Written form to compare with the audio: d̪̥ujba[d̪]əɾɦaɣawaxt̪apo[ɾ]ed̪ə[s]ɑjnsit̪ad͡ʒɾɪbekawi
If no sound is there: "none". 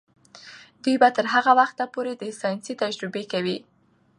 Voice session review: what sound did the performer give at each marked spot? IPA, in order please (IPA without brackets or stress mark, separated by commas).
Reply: t̪, ɾ, s